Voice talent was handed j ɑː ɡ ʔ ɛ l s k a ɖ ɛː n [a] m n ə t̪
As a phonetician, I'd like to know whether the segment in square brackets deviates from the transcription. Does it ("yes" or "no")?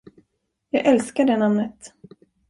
no